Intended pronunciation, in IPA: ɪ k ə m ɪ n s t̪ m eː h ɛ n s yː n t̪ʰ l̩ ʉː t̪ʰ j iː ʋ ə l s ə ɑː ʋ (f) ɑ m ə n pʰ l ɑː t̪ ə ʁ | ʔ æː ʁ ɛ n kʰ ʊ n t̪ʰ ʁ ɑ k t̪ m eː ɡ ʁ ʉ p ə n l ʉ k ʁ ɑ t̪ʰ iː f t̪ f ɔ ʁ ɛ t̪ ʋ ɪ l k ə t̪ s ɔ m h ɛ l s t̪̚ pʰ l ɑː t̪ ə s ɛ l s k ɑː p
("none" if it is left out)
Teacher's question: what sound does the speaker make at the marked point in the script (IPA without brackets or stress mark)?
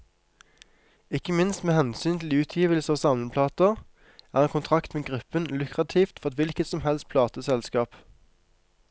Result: s